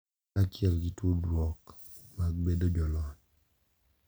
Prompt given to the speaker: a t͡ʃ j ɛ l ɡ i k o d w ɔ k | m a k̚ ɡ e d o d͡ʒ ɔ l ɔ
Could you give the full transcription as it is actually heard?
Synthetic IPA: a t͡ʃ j ɛ l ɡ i t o d w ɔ k | m a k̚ b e d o d͡ʒ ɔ l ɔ